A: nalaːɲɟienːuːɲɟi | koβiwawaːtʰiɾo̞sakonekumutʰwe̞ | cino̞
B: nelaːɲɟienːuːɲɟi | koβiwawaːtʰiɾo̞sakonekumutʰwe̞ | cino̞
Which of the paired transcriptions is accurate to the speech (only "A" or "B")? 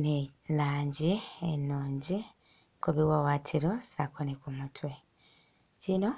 B